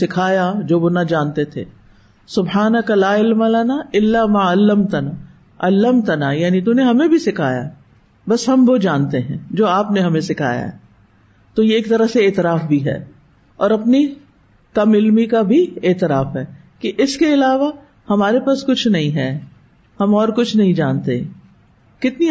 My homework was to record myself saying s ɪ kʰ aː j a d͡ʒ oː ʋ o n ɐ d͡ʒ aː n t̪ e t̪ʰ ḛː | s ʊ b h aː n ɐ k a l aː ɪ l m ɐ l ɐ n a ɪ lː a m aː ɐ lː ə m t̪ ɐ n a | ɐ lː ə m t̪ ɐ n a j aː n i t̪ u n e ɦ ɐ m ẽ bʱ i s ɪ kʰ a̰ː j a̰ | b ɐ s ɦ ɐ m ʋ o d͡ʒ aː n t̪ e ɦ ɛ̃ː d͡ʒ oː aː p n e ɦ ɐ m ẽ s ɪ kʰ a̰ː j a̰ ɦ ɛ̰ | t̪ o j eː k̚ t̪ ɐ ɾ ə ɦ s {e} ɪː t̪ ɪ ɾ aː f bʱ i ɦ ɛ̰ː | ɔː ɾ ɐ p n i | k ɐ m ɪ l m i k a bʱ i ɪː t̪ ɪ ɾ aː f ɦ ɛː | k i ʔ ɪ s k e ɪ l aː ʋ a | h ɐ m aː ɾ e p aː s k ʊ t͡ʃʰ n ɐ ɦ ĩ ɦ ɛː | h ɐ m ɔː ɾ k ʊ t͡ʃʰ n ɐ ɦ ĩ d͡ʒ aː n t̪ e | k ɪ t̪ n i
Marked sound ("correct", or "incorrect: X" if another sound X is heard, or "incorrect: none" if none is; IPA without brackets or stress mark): correct